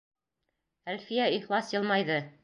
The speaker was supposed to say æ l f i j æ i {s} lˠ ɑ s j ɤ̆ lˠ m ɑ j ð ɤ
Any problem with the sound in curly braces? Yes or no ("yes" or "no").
yes